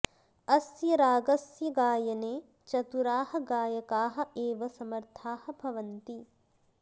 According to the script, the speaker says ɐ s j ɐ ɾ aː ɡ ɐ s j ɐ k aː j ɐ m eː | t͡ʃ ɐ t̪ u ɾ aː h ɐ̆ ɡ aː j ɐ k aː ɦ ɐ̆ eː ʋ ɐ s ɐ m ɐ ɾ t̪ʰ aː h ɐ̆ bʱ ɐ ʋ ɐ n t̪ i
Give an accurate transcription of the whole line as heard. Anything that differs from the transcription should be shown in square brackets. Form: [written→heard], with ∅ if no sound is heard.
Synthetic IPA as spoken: ɐ s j ɐ ɾ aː ɡ ɐ s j ɐ [k→ɡ] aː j ɐ [m→n] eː | t͡ʃ ɐ t̪ u ɾ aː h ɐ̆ ɡ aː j ɐ k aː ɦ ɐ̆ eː ʋ ɐ s ɐ m ɐ ɾ t̪ʰ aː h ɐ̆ bʱ ɐ ʋ ɐ n t̪ i